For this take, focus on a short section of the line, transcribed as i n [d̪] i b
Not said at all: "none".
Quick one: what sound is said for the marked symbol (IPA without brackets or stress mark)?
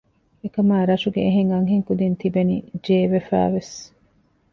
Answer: t̪